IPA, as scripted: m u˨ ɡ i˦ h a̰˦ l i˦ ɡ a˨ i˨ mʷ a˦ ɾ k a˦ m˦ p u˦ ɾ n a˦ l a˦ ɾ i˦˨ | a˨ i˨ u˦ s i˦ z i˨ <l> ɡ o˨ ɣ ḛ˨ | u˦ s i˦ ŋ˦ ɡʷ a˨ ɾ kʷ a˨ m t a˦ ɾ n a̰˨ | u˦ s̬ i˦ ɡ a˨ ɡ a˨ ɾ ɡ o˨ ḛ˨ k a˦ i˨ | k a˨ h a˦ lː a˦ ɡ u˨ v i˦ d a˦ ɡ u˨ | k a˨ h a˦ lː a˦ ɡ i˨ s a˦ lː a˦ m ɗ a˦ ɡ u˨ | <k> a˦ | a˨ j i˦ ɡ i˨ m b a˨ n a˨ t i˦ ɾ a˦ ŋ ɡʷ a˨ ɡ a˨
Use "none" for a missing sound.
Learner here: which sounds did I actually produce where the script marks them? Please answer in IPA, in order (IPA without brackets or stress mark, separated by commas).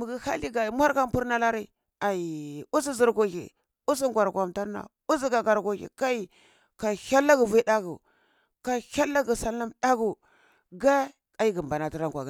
ɾ, ɡ